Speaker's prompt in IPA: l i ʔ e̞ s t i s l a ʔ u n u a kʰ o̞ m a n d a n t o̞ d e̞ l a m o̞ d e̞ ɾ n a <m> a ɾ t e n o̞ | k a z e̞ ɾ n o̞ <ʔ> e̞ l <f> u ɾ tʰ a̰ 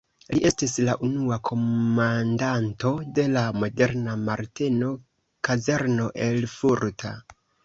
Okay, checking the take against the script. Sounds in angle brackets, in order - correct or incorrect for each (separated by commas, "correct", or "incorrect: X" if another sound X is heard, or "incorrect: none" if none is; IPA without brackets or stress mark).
correct, correct, correct